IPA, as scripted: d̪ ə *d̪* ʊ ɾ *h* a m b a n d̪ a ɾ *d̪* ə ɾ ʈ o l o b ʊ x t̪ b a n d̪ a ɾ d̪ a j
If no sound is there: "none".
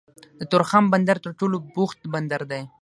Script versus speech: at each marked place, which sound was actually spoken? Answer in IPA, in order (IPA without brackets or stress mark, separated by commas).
t̪, x, t̪